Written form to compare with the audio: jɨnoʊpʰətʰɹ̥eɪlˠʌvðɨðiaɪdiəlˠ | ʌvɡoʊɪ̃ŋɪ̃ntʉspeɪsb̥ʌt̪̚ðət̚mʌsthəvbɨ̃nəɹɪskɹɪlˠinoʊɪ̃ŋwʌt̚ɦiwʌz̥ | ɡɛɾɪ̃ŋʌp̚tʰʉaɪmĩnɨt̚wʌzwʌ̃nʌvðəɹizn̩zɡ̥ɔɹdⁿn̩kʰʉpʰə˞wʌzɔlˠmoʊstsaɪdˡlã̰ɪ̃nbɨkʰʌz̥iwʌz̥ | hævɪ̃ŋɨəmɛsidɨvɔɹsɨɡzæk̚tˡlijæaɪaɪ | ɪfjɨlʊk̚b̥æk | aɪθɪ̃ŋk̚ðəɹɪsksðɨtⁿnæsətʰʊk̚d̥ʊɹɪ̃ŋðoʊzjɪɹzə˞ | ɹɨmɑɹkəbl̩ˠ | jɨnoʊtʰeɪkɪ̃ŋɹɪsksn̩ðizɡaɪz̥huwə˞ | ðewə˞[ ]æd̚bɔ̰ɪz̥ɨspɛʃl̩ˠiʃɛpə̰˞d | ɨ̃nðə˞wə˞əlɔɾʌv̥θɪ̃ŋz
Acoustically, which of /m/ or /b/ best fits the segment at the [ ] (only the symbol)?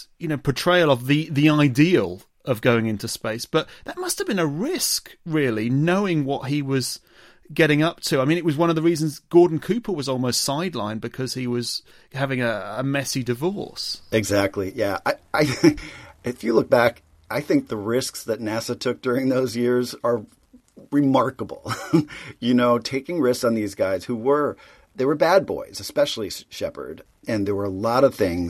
b